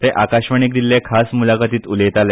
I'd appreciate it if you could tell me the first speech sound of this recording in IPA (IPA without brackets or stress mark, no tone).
t̪